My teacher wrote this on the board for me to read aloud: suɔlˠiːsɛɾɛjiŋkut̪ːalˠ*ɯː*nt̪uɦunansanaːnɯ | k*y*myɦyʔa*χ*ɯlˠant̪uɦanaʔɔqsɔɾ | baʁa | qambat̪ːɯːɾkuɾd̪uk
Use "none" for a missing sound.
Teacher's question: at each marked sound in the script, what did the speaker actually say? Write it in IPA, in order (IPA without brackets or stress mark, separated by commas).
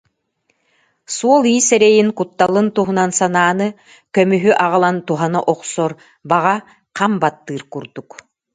ɯ, œ, ʁ